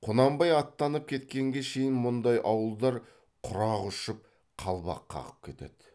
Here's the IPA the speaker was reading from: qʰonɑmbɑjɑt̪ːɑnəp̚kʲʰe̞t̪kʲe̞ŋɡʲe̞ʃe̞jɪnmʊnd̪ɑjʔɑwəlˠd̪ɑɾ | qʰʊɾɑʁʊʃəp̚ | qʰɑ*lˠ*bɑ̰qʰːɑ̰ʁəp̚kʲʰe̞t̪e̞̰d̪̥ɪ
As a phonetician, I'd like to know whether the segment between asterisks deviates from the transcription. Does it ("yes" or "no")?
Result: no